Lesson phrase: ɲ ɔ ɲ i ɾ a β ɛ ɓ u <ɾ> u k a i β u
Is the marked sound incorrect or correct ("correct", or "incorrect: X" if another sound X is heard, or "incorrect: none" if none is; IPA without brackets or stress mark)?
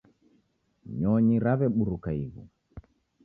correct